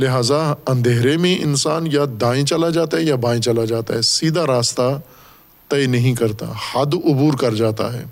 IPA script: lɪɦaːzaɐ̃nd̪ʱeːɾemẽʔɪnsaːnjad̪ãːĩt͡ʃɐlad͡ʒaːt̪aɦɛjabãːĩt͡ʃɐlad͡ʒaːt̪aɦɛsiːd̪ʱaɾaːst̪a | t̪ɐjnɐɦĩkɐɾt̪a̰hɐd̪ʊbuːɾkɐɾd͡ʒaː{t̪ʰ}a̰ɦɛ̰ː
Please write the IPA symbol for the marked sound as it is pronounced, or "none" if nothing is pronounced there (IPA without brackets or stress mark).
t̪